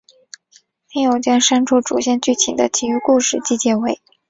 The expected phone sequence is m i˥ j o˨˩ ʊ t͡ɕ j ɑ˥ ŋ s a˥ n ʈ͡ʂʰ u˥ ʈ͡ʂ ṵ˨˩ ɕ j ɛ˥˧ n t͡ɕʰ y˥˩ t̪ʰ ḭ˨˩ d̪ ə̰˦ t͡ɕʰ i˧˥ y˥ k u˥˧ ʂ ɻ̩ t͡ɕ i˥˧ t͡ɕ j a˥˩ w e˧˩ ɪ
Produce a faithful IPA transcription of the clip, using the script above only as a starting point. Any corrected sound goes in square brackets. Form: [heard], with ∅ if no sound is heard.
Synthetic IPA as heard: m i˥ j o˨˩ ʊ t͡ɕ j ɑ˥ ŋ [ʂ] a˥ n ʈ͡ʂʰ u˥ ʈ͡ʂ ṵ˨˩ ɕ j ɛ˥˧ n [t͡ɕ] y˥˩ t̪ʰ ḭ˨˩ d̪ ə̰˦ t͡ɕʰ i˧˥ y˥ k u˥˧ ʂ ɻ̩ t͡ɕ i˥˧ t͡ɕ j [ɛ˥˩] w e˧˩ ɪ